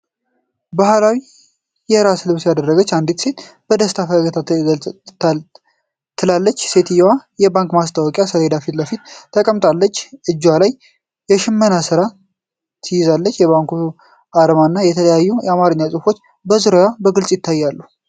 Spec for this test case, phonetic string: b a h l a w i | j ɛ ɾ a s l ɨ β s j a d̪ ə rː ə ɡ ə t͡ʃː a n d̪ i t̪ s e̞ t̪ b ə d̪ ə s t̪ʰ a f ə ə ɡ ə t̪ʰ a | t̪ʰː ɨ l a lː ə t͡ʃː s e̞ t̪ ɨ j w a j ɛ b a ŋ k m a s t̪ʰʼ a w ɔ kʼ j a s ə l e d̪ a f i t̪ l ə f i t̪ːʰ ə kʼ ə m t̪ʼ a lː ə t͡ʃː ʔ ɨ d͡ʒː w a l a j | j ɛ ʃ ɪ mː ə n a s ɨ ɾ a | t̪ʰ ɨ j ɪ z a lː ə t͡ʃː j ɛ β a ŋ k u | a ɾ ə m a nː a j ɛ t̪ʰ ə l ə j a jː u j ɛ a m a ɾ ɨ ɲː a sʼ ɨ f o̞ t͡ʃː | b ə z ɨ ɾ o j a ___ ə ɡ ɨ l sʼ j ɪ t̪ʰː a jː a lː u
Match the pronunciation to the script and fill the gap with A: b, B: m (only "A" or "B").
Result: A